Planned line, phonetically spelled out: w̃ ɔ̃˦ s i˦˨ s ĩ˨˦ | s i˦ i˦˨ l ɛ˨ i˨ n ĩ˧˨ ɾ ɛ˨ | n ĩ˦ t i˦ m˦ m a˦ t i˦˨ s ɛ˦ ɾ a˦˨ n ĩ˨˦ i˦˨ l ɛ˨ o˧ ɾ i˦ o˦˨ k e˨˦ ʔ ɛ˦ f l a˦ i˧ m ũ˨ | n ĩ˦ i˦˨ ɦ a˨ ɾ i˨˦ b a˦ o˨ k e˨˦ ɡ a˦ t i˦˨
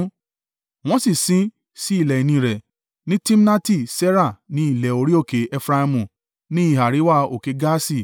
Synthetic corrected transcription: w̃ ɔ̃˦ s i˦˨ s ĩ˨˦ | s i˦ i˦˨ l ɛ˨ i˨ n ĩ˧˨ ɾ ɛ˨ | n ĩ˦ t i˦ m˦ n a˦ t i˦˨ s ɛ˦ ɾ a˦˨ n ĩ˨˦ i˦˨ l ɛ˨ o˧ ɾ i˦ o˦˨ k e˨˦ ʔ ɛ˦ f ɾ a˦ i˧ m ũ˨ | n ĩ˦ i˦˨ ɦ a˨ ɾ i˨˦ w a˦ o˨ k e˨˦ ɡ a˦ s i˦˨